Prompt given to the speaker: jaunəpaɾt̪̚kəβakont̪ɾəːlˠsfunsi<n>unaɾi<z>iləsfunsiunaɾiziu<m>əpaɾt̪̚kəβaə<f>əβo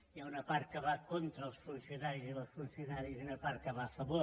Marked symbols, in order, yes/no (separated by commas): no, yes, no, yes